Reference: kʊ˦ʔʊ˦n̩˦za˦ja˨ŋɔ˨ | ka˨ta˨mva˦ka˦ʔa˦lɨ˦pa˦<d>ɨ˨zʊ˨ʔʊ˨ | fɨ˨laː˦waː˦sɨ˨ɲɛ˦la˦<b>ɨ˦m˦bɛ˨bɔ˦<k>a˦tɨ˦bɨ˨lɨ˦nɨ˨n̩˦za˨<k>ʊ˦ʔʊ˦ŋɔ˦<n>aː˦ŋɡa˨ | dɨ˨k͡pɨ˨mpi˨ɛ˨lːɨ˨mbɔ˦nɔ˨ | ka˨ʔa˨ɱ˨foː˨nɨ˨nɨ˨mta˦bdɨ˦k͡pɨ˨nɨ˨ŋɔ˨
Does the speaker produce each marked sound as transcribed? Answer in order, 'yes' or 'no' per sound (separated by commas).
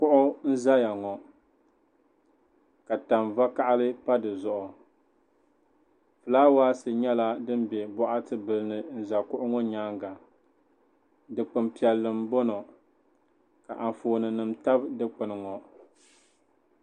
yes, no, no, yes, no